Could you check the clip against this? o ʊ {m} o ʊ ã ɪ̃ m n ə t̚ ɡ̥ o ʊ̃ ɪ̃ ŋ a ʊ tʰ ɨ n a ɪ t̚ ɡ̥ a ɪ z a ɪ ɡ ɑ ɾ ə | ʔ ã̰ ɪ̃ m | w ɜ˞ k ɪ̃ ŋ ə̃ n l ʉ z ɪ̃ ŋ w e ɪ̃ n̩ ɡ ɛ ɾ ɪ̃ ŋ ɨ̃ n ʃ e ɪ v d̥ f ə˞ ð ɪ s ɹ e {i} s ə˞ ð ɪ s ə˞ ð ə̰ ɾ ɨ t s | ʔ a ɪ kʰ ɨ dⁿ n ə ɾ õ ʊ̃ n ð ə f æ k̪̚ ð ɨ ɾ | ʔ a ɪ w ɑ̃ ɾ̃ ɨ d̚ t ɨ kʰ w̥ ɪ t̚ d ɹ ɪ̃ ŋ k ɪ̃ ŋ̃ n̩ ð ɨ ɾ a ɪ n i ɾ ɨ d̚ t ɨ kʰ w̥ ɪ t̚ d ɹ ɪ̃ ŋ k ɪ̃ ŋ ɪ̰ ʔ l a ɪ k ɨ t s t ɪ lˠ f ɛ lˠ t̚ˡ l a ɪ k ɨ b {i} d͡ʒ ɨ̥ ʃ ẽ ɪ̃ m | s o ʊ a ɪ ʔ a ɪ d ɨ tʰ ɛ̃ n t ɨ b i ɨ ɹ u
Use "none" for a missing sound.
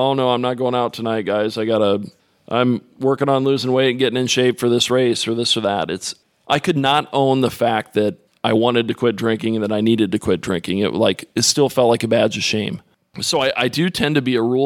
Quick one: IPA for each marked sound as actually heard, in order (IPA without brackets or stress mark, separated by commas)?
n, ɪ, æ